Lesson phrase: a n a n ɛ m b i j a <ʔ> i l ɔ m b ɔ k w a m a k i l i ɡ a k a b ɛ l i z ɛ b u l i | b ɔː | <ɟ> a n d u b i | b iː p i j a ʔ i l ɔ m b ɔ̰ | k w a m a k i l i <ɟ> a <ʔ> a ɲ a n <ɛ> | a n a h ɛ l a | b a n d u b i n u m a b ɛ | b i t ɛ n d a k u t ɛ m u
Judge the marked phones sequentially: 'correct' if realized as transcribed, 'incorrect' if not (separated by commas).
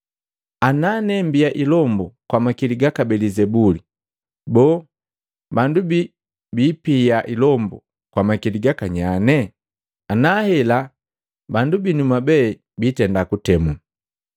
correct, incorrect, incorrect, incorrect, correct